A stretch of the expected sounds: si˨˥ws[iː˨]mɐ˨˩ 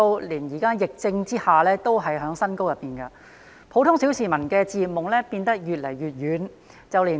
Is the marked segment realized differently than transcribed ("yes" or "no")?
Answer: no